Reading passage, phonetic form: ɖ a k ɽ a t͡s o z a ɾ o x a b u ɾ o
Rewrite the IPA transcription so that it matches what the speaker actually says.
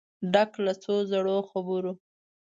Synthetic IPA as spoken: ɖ a k l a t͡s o z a ɽ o x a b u ɾ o

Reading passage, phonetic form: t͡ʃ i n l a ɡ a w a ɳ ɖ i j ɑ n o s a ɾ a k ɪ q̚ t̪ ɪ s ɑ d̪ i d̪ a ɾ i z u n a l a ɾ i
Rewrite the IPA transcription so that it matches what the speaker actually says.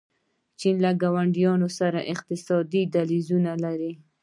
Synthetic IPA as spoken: t͡ʃ i n l a ɡ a w a ɳ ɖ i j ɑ n o s a ɾ a ʔ ɪ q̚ t̪ ɪ s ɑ d̪ i d̪ a l i z u n a l a ɾ i

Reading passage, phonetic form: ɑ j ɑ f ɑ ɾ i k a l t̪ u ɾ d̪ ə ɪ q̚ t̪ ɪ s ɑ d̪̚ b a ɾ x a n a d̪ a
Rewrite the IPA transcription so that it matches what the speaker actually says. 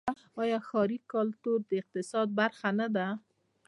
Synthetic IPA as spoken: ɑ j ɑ x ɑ ɾ i k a l t̪ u ɾ d̪ ə ɪ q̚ t̪ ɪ s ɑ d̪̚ b a ɾ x a n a d̪ a

